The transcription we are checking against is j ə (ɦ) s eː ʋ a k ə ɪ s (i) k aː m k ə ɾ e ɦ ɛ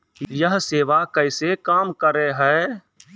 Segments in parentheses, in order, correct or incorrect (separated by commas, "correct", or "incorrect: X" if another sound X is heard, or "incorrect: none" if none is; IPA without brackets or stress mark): correct, incorrect: e